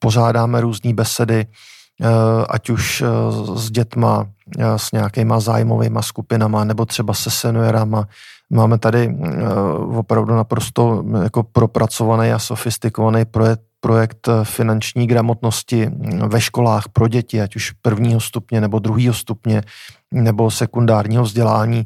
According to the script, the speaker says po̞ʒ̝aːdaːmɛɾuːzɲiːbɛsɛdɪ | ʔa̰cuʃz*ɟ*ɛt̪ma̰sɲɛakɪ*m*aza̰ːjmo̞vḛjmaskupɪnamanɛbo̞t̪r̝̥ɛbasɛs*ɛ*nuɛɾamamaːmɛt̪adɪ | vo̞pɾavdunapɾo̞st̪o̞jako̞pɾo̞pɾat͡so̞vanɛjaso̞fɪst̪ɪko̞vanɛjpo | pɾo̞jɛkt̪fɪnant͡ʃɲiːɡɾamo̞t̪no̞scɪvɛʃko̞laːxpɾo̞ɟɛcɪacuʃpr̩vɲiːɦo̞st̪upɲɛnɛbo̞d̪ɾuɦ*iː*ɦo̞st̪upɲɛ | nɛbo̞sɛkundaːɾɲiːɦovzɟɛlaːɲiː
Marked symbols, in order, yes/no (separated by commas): yes, yes, yes, yes